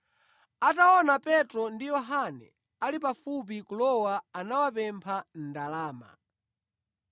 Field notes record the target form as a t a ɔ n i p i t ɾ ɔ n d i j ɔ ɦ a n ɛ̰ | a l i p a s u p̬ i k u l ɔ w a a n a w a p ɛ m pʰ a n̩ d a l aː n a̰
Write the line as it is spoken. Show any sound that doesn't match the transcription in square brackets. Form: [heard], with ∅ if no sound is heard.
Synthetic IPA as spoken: a t a ɔ n [a] p [ɛ] t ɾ ɔ n d i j ɔ ɦ a n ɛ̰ | a l i p a [f] u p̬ i k u l ɔ w a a n a w a p ɛ m pʰ a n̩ d a l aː [m] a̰